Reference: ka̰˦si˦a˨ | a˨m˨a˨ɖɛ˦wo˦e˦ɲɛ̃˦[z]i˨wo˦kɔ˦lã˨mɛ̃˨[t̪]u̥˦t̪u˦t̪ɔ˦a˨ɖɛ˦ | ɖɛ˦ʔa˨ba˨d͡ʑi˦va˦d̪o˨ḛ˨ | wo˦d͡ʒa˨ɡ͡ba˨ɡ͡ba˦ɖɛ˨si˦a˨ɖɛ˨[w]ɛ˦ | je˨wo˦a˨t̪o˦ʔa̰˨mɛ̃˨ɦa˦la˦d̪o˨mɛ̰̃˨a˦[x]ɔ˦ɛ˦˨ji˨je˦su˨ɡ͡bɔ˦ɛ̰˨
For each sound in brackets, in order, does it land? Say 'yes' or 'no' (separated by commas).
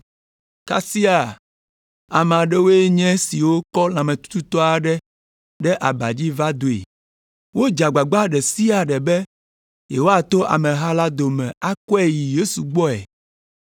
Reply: no, yes, no, no